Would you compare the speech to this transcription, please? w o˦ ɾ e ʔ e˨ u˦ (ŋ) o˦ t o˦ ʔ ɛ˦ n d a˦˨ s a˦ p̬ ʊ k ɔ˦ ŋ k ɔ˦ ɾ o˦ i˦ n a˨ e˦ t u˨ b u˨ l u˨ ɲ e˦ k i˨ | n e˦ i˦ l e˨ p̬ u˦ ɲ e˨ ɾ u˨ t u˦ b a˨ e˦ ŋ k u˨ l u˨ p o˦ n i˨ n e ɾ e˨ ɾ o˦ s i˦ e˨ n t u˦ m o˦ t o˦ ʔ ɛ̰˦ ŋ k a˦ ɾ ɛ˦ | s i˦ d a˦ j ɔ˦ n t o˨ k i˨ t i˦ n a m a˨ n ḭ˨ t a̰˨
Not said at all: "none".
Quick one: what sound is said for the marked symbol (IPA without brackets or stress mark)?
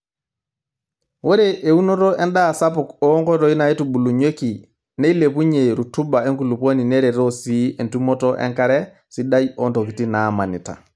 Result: n